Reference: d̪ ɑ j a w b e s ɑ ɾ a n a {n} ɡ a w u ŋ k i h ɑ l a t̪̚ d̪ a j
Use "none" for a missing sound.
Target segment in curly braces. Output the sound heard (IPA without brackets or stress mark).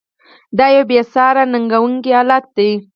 ŋ